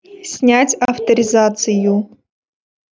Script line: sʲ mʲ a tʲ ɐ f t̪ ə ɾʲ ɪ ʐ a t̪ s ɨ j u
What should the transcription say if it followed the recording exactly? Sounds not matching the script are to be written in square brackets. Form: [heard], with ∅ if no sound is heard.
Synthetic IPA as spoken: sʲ [nʲ] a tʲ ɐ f t̪ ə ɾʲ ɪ [z] a t̪ s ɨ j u

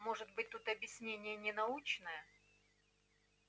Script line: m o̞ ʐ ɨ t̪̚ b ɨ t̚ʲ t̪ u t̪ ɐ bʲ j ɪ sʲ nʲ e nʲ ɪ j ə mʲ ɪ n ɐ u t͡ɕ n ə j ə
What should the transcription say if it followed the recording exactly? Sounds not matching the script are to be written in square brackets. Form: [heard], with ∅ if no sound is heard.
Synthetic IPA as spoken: m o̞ ʐ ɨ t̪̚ b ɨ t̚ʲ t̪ u t̪ ɐ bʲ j ɪ sʲ nʲ e nʲ ɪ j ə [nʲ] ɪ n ɐ u t͡ɕ n ə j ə

